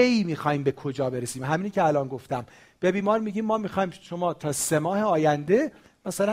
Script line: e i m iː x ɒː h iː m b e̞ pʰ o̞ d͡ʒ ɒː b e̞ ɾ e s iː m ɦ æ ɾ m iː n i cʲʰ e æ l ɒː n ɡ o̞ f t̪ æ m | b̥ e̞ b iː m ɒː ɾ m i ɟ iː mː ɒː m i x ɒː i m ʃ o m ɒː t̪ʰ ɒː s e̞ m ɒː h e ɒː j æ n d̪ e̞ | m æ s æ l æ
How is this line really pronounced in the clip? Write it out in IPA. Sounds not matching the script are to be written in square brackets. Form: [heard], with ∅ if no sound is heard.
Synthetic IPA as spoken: e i m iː x ɒː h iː m b e̞ [kʰ] o̞ d͡ʒ ɒː b e̞ ɾ e s iː m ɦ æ [∅] m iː n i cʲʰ e æ l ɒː n ɡ o̞ f t̪ æ m | b̥ e̞ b iː m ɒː ɾ m i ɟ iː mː ɒː m i x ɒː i m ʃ o m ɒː t̪ʰ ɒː s e̞ m ɒː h e ɒː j æ n d̪ e̞ | m æ s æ l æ